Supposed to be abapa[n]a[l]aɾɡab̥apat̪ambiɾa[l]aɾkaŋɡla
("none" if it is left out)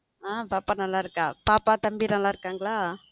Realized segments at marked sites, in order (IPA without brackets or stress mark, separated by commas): n, l, l